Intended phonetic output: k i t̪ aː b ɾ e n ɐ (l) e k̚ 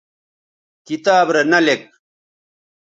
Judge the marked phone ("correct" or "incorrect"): correct